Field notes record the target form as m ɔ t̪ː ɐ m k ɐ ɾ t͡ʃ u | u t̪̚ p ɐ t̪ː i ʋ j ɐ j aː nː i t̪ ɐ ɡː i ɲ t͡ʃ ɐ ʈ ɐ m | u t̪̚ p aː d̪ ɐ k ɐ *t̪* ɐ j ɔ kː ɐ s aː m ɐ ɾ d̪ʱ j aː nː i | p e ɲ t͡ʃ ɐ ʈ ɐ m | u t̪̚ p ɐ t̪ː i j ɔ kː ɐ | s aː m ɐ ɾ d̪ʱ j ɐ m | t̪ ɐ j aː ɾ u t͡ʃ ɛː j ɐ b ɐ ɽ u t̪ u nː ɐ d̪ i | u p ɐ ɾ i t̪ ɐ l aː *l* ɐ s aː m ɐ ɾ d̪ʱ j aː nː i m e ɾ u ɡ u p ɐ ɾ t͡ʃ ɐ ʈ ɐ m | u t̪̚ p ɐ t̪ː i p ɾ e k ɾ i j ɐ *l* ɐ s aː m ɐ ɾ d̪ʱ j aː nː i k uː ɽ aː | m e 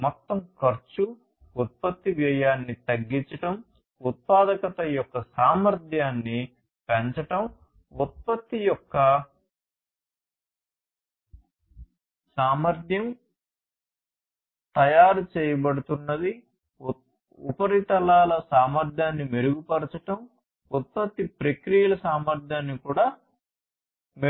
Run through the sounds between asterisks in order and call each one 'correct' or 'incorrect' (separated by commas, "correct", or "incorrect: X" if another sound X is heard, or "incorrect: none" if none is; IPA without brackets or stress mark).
correct, correct, correct